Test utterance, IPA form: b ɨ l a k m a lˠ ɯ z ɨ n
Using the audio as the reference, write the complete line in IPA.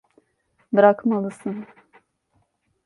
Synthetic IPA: b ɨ ɾ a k m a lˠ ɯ s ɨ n